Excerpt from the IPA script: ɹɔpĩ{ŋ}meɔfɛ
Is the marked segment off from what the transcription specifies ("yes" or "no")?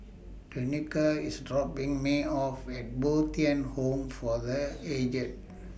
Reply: no